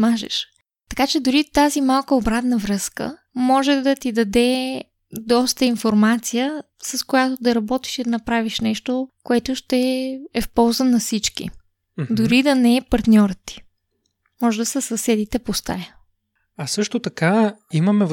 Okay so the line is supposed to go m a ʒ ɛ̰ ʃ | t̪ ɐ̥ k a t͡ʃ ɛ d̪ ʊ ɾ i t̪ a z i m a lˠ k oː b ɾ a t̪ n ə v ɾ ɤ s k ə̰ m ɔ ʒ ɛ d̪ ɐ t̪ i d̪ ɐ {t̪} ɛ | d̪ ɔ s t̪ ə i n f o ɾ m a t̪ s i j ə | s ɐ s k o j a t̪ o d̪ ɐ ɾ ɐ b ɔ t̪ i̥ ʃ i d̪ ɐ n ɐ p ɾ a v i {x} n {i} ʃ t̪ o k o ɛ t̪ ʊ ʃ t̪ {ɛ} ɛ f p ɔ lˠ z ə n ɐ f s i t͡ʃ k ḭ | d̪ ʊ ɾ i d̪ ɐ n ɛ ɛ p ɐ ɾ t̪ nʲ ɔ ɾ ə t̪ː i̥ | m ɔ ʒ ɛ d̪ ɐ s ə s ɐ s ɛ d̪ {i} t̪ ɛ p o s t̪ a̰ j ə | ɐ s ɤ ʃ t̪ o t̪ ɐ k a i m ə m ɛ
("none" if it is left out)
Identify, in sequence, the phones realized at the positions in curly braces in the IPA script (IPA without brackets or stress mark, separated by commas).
d̪, ʃ, ɛ, ɛ, i